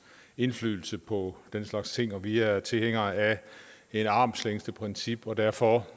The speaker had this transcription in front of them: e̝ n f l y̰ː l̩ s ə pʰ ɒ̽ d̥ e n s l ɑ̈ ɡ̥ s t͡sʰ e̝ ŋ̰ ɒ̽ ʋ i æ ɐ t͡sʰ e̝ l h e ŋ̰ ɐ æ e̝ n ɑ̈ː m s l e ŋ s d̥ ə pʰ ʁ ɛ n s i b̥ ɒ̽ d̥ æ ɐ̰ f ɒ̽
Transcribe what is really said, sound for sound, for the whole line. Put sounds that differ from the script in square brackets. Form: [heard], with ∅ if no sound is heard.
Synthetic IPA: e̝ n f l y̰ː l̩ s ə pʰ ɒ̽ d̥ e n s l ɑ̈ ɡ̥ s t͡sʰ e̝ ŋ̰ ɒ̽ ʋ i æ ɐ t͡sʰ e̝ l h e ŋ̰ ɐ æ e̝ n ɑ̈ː m s l e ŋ s d̥ ə pʰ ʁ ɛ n s i b̥ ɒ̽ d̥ æ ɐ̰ f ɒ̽